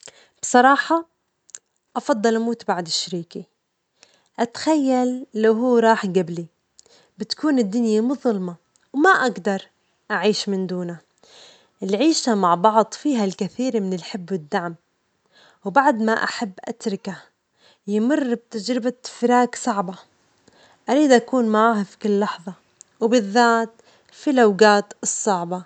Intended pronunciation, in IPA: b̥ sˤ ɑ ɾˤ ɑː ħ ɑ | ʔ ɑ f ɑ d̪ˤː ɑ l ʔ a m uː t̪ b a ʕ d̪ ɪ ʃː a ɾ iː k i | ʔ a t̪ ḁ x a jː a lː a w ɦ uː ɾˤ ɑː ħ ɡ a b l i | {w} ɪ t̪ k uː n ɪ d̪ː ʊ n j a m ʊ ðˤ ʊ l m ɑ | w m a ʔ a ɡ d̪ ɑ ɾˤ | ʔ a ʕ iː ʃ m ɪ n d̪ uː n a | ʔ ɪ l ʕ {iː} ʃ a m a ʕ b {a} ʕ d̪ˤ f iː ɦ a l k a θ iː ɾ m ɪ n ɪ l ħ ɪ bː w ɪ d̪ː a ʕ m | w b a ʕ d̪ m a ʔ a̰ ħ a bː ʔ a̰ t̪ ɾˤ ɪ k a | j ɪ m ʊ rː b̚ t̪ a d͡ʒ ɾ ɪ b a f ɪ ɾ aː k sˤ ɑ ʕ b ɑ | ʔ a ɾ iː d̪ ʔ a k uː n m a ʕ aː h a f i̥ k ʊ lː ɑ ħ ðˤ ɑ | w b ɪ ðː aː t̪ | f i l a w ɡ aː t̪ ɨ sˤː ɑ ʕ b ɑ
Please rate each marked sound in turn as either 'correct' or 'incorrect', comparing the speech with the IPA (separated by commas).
incorrect, correct, incorrect